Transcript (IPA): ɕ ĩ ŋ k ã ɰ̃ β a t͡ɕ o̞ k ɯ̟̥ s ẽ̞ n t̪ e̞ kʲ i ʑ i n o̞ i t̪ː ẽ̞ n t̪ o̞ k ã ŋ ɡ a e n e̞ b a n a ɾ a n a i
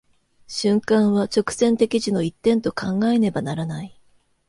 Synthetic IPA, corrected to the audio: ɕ ɨ̃ ŋ k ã ɰ̃ β a t͡ɕ o̞ k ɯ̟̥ s ẽ̞ n t̪ e̞ kʲ i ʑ i n o̞ i t̪ː ẽ̞ n t̪ o̞ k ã ŋ ɡ a e n e̞ b a n a ɾ a n a i